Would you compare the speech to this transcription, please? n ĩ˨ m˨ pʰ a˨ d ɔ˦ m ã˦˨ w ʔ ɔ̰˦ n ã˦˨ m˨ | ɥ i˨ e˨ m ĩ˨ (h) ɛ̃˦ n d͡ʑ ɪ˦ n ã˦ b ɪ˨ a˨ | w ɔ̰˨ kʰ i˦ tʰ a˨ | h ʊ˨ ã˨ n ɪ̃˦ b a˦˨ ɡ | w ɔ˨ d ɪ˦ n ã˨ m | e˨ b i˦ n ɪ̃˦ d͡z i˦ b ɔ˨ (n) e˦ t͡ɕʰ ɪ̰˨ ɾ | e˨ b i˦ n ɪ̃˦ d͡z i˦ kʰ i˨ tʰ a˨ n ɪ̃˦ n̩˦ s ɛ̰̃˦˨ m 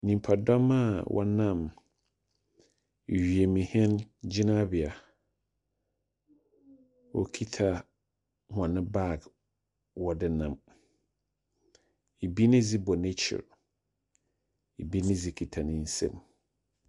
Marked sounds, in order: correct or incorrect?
correct, correct

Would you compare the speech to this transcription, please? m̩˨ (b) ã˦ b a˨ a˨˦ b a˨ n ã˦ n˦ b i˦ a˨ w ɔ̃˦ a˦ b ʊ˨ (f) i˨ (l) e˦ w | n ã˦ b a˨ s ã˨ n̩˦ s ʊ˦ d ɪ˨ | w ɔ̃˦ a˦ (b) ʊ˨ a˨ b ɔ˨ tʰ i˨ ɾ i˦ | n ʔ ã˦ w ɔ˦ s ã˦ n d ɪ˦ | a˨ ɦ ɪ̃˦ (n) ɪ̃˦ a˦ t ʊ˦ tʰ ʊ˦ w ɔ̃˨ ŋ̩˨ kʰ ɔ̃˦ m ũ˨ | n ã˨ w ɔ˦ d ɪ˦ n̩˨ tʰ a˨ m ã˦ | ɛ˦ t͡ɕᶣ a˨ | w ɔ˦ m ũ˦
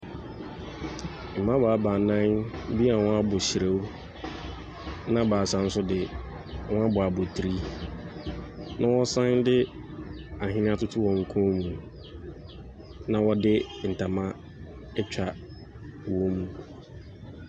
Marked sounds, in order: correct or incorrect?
incorrect, incorrect, incorrect, correct, correct

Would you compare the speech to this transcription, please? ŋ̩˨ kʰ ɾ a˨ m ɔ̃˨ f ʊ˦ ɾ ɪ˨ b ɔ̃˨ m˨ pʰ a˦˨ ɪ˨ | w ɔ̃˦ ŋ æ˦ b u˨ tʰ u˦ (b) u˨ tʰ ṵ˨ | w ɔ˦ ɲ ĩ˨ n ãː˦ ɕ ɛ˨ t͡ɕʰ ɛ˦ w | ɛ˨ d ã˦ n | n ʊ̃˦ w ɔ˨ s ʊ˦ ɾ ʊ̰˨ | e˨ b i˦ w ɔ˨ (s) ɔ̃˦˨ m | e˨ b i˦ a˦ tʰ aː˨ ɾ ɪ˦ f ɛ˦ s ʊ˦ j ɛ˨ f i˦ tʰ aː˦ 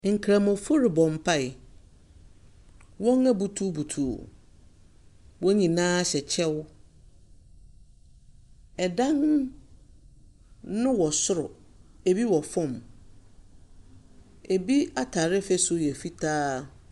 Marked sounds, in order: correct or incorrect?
correct, incorrect

